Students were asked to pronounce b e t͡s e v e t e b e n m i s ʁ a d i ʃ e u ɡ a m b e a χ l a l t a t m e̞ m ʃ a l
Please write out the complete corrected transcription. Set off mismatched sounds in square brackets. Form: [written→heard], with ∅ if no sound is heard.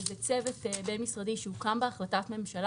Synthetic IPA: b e t͡s e v e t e b e n m i s ʁ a d i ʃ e u [ɡ→k] a m b e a χ l a [l→∅] t a t m e̞ m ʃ a l

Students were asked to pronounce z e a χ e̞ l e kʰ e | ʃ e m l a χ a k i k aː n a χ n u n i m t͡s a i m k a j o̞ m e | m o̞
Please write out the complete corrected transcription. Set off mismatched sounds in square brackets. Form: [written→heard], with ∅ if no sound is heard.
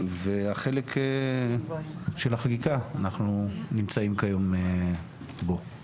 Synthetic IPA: [z→v] e a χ e̞ l e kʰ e | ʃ e [m→∅] l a χ a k i k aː n a χ n u n i m t͡s a i m k a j o̞ m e | [m→b] o̞

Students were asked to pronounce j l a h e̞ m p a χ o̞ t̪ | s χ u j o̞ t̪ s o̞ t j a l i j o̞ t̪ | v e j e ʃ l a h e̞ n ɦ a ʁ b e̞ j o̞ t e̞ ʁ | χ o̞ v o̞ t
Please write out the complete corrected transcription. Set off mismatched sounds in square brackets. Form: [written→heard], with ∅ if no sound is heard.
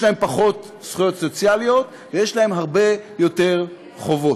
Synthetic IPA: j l a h e̞ m p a χ o̞ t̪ | s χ u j o̞ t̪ s o̞ [t→t͡s] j a l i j o̞ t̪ | v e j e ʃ l a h e̞ [n→m] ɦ a ʁ b e̞ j o̞ t e̞ ʁ | χ o̞ v o̞ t

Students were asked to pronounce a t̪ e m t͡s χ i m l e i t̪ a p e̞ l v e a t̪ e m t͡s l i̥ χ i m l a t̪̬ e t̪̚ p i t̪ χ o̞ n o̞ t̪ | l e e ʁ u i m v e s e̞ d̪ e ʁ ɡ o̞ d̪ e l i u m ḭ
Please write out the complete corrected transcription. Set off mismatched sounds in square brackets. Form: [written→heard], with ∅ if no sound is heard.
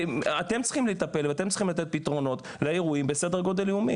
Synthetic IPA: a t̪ e m t͡s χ i m l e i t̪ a p e̞ l v e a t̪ e m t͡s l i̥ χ i m l a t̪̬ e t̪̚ p i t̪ [χ→ʁ] o̞ n o̞ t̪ | l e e ʁ u i m [v→b] e s e̞ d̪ e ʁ ɡ o̞ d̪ e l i u m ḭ

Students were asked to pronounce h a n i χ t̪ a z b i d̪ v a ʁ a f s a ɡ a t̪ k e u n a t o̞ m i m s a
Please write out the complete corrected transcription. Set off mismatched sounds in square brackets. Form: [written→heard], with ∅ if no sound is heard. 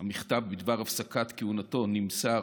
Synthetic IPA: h a [n→m] i χ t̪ a [z→v] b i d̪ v a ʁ a f s a [ɡ→k] a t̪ k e u n a t o̞ [m→n] i m s a

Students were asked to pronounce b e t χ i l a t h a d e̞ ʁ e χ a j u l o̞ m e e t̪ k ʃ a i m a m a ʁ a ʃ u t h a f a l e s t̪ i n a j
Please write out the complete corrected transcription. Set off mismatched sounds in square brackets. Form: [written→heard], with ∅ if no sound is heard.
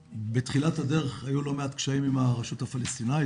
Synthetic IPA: b e t χ i l a t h a d e̞ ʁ e χ a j u l o̞ m e [e→a] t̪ k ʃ a i m [a→i] m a ʁ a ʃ u t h a f a l e s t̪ i n a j

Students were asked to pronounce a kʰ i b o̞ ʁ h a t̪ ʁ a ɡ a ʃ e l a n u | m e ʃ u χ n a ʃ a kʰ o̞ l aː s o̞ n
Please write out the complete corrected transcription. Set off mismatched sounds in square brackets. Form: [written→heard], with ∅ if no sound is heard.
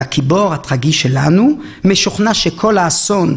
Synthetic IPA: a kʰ i b o̞ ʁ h a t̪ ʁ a ɡ [a→i] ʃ e l a n u | m e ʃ u χ n a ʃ [a→e] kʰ o̞ l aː s o̞ n

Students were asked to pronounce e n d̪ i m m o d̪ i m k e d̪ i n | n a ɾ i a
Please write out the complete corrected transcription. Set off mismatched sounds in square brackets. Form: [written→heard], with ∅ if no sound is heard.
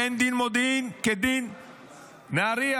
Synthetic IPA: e n d̪ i [m→n] m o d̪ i [m→n] k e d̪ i n | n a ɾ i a

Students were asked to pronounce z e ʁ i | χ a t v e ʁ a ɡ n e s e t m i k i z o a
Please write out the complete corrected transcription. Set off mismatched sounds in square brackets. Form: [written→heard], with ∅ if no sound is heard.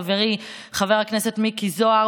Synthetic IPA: [z→v] e ʁ i | χ a [t→∅] v e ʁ a [ɡ→k] n e s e t m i k i z o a

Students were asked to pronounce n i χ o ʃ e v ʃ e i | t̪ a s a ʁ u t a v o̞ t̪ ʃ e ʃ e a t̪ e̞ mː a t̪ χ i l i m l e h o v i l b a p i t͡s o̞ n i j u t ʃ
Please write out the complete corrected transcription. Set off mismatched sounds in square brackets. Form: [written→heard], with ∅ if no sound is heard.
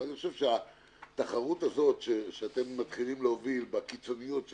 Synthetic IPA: n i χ o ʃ e v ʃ e [i→a] | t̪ a [s→χ] a ʁ u t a [v→z] o̞ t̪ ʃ e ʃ e a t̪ e̞ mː a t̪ χ i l i m l e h o v i l b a [p→k] i t͡s o̞ n i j u t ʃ

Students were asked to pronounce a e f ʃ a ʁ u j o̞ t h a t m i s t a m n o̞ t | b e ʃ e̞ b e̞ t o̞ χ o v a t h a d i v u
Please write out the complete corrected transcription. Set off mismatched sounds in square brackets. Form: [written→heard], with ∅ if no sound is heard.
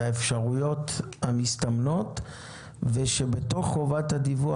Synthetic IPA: a e f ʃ a ʁ u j o̞ t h a [t→∅] m i s t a m n o̞ t | [b→v] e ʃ e̞ b e̞ t o̞ χ o v a t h a d i v u

